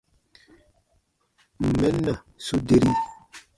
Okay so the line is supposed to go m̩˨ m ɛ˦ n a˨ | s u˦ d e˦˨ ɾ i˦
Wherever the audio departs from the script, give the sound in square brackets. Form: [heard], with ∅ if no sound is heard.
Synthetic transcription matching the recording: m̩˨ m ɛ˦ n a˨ | s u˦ d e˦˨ ɾ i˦

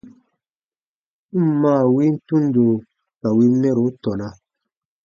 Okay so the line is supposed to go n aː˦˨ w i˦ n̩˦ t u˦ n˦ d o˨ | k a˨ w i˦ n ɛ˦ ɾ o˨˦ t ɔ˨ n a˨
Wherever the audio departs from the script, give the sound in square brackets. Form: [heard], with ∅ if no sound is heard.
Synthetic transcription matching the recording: [m] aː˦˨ w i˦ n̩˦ t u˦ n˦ d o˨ | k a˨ w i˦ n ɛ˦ ɾ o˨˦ t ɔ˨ n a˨

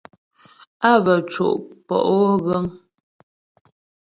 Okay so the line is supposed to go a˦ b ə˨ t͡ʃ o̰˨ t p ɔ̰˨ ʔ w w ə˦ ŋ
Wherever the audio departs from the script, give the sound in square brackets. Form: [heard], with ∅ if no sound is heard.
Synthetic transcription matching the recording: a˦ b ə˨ t͡ʃ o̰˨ [ʔ] p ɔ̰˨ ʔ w [ɣ] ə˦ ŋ

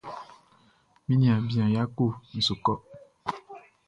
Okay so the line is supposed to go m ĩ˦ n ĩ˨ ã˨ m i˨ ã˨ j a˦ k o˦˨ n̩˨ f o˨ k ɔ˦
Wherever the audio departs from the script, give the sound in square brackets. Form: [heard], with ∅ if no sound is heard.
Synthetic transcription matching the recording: m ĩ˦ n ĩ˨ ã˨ [b] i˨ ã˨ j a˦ k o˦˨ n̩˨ [s] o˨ k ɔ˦

